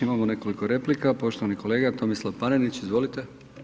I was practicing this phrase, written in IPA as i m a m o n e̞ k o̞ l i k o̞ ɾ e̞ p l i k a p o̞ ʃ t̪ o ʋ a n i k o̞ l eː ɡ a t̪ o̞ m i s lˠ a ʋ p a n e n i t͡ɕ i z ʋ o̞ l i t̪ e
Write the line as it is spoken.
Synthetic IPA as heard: i m a m o n e̞ k o̞ l i k o̞ ɾ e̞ p l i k a p o̞ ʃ t̪ o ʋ a n i k o̞ l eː ɡ a t̪ o̞ m i s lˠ a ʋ p a n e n i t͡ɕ i z ʋ o̞ l i t̪ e